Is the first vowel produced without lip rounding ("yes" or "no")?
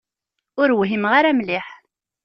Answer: no